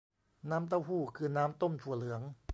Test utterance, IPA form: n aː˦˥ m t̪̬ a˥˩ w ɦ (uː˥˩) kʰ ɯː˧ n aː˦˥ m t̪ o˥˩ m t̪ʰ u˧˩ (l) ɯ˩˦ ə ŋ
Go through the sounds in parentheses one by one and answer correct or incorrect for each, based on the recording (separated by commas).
correct, correct